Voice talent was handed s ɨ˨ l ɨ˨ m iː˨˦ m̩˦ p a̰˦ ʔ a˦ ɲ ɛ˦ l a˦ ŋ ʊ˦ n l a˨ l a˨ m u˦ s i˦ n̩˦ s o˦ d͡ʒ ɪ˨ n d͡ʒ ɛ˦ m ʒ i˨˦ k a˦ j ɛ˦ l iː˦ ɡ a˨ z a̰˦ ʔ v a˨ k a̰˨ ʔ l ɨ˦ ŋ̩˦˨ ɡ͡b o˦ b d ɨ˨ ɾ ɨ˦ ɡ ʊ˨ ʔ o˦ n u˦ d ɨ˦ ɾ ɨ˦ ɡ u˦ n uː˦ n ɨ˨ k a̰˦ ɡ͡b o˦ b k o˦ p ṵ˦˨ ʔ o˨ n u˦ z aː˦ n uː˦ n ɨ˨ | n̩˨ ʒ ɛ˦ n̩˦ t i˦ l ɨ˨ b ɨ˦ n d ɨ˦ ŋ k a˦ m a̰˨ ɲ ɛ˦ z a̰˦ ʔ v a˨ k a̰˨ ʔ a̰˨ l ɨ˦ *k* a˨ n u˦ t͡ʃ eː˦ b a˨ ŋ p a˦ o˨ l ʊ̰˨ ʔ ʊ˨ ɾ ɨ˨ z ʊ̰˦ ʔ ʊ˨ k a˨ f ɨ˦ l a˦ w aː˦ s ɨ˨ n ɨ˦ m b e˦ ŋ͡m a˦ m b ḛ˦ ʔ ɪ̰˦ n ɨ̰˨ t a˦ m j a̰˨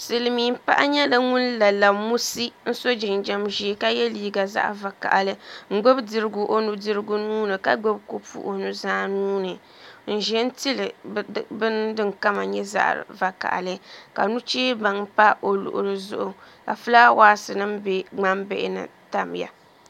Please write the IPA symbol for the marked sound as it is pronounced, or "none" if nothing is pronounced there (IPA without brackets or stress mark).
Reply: k